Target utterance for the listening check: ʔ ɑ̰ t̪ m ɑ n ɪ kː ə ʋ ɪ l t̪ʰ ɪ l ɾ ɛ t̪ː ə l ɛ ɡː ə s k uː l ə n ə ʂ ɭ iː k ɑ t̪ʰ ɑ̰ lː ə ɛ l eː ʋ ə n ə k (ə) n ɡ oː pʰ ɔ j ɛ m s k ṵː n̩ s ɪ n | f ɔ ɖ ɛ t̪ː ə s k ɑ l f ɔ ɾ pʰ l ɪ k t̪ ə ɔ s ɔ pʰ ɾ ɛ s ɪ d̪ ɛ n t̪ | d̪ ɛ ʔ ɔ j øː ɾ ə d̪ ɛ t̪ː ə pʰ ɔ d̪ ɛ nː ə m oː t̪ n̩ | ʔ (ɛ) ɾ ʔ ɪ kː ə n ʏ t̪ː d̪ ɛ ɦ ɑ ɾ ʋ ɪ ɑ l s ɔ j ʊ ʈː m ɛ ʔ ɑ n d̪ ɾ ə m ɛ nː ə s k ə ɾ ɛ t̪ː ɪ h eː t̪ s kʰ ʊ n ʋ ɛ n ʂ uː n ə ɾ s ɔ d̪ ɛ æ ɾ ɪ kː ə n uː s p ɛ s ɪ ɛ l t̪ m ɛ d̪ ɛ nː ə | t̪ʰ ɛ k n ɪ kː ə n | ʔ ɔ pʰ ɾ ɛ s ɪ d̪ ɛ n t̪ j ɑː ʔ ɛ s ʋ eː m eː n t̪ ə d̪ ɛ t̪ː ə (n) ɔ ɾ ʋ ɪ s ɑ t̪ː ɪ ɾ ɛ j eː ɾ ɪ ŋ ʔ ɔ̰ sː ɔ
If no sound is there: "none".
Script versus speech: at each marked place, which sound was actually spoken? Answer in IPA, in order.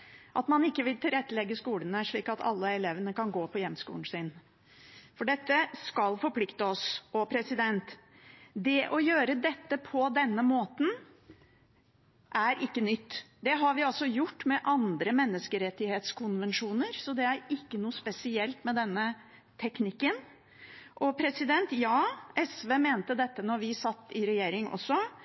ɑ, æ, n

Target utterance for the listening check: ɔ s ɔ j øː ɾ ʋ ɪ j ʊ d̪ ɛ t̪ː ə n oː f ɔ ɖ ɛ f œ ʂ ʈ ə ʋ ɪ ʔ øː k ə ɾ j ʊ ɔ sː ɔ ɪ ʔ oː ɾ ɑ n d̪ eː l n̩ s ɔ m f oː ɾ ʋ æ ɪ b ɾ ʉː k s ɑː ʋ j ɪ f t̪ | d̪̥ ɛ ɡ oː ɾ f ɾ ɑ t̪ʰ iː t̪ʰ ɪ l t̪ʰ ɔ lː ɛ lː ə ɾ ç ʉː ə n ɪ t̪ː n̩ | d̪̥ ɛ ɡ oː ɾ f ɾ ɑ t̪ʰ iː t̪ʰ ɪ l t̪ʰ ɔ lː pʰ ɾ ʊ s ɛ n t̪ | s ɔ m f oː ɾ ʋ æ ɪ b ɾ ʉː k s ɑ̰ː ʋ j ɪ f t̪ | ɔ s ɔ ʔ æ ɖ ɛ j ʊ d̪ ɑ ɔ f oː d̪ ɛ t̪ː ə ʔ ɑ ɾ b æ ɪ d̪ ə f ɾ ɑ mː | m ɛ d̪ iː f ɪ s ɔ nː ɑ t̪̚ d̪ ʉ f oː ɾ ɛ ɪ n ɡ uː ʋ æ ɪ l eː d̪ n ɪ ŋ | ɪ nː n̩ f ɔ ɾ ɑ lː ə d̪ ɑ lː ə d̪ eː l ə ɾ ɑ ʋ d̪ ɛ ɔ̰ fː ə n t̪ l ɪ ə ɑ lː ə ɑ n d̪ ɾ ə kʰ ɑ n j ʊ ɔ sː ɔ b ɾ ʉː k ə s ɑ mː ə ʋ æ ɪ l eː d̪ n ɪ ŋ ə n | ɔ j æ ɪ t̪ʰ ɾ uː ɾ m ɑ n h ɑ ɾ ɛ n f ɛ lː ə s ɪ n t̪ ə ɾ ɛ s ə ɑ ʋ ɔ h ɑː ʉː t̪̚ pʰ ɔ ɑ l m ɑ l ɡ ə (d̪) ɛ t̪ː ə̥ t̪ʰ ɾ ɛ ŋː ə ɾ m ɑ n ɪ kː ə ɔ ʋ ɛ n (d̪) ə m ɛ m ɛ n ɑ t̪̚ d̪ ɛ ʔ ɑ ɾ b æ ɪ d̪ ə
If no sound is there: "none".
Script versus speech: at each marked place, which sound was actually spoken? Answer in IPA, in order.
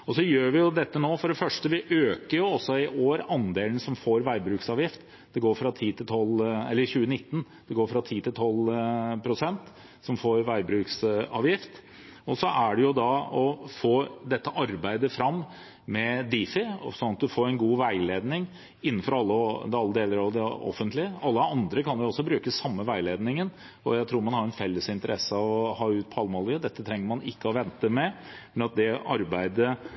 d̪, t̪

